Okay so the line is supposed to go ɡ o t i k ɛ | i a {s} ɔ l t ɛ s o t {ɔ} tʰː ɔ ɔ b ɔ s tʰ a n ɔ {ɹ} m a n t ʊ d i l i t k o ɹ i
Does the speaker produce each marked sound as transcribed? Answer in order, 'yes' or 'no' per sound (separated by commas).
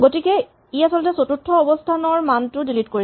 yes, no, yes